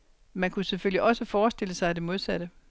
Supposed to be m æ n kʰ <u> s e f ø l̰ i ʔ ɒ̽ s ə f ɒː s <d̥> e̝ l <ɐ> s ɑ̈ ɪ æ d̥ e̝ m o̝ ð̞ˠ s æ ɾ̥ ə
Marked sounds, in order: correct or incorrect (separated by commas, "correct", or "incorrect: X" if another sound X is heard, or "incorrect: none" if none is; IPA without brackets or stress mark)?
correct, correct, incorrect: ə